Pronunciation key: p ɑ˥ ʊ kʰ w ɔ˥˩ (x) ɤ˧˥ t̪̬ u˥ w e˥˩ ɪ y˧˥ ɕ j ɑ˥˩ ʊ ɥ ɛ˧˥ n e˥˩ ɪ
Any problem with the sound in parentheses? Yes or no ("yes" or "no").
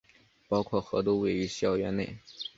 no